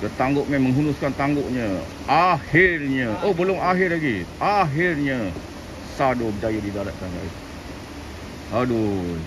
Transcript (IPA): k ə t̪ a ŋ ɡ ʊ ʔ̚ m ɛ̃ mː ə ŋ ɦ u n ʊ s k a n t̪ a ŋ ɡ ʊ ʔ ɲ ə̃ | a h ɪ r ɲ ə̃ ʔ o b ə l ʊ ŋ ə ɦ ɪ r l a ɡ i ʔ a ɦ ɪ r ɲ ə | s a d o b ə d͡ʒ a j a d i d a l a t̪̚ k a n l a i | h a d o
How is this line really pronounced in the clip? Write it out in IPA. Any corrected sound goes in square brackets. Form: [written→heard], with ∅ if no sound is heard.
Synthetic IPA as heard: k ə t̪ a ŋ ɡ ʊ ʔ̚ m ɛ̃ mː ə ŋ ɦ u n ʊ s k a n t̪ a ŋ ɡ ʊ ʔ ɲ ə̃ | a h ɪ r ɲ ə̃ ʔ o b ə l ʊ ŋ [ə→a] ɦ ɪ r l a ɡ i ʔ a ɦ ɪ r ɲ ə | s a d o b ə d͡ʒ a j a d i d a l a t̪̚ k a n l a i | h a d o